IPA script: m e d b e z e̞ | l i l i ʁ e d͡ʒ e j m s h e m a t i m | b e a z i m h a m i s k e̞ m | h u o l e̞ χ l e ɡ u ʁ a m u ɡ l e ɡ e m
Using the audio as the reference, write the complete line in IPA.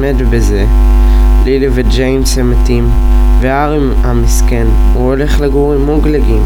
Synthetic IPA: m e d b e z e̞ | l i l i v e d͡ʒ e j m s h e m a t i m | v e a ʁ i m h a m i s k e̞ n | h u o l e̞ χ l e ɡ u ʁ i m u ɡ l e ɡ i m